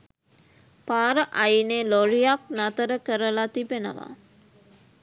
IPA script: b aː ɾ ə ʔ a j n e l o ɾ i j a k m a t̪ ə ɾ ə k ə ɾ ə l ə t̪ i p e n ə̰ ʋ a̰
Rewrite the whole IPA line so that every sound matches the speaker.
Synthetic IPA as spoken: p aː ɾ ə ʔ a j n e l o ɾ i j a k n a t̪ ə ɾ ə k ə ɾ ə l a t̪ i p e n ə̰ ʋ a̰